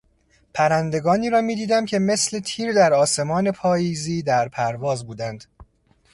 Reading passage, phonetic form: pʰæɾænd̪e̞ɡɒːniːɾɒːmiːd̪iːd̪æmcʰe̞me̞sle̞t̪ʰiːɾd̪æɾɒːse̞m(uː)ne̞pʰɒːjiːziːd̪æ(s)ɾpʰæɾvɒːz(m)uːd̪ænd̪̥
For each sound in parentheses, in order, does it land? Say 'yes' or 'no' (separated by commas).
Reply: no, no, no